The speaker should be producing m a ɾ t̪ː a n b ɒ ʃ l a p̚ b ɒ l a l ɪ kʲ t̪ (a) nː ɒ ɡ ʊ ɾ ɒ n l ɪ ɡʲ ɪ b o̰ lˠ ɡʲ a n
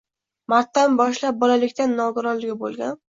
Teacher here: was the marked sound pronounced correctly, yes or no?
yes